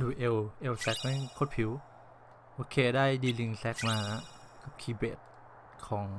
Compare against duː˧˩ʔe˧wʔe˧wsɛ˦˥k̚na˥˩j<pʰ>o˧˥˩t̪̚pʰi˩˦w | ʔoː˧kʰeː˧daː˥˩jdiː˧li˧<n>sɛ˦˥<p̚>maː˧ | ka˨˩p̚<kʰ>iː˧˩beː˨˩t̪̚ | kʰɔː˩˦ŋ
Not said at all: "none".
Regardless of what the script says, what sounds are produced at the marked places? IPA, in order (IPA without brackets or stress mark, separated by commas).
kʰ, ŋ, k̚, kʰ